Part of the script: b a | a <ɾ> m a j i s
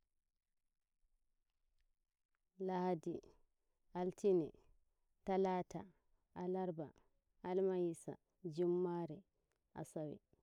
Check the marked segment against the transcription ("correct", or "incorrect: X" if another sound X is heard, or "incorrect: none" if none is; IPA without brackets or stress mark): incorrect: l